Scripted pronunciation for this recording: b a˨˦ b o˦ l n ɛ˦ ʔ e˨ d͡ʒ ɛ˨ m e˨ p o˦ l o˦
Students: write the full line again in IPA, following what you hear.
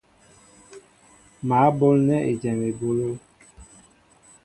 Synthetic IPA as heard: m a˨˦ b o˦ l n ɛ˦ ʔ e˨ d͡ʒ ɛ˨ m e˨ b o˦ l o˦